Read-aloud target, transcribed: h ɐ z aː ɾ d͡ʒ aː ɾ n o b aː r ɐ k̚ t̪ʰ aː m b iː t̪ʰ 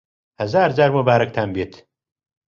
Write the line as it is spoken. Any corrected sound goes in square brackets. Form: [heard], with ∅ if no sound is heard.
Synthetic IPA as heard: h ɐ z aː ɾ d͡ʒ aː ɾ [m] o b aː [ɾ] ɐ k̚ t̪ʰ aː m b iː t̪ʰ